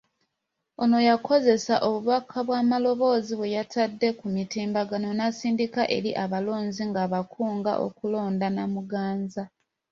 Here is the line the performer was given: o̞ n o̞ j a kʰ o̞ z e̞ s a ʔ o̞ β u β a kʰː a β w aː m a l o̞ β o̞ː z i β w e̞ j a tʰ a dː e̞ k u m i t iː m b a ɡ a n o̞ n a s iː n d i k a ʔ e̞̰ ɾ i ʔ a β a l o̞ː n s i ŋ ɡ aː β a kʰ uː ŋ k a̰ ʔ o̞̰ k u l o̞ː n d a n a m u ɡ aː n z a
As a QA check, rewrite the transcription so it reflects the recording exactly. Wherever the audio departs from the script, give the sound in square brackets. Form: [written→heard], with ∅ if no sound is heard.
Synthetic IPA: o̞ n o̞ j a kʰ o̞ z e̞ s a ʔ o̞ β u β a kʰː a β w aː m a l o̞ β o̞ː z i β w e̞ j a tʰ a dː e̞ k u m i t iː m b a ɡ a n o̞ n a s iː n d i k a ʔ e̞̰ ɾ i ʔ a β a l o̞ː n [s→z] i ŋ ɡ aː β a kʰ uː ŋ [k→ɡ] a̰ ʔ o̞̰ k u l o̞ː n d a n a m u ɡ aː n z a